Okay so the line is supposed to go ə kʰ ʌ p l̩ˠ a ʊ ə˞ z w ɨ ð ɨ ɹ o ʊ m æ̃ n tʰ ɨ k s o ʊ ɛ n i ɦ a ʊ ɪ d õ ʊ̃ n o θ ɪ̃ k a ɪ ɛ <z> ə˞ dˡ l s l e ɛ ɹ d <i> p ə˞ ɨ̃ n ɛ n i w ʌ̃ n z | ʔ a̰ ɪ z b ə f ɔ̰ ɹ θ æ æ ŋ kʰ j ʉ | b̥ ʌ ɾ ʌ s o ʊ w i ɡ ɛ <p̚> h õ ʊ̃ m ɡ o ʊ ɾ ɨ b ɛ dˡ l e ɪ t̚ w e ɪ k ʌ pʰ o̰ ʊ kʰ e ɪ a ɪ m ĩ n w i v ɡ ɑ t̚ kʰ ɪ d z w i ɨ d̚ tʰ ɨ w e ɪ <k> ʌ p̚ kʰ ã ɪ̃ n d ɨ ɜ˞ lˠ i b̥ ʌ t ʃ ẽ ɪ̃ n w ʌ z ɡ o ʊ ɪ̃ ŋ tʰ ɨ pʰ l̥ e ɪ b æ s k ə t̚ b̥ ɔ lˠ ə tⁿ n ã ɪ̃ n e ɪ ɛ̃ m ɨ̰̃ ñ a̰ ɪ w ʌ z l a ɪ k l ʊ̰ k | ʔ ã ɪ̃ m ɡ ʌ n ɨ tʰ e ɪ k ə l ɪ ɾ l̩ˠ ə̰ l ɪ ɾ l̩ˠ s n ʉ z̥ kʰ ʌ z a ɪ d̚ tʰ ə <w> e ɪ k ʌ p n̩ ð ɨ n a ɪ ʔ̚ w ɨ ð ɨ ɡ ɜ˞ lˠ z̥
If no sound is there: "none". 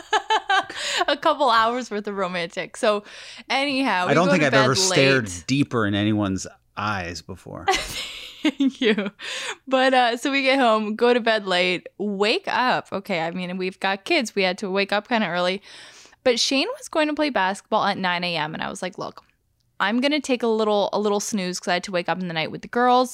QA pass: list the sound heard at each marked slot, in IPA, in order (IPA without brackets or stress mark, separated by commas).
v, i, t̚, k, w